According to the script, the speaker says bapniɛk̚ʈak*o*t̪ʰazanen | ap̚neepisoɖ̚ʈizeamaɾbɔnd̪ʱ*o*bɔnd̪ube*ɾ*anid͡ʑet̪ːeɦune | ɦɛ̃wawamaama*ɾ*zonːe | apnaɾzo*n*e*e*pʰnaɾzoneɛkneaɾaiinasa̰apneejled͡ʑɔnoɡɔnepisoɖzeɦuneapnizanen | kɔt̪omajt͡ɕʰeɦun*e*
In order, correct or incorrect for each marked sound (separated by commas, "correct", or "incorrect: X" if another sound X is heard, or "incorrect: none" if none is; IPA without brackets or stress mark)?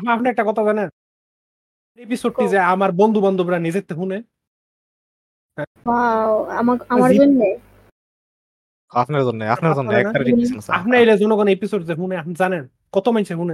incorrect: ɔ, incorrect: u, correct, correct, incorrect: nː, incorrect: a, correct